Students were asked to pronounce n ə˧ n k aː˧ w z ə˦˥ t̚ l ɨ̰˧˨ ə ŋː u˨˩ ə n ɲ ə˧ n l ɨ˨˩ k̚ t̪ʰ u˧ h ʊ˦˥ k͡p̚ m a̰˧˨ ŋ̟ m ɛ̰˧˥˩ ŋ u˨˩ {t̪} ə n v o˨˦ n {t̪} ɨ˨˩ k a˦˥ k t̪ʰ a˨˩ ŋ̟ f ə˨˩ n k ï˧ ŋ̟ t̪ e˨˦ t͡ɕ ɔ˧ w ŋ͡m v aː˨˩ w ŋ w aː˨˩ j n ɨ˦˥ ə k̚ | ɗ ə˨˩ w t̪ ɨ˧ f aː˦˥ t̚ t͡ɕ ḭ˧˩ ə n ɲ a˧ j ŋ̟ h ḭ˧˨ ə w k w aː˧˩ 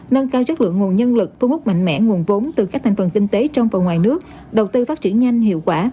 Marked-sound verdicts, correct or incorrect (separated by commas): incorrect, correct